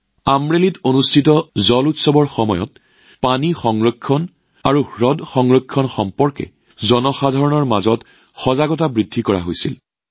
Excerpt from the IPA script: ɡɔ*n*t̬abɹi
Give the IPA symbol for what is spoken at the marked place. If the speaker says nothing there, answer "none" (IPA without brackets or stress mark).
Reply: none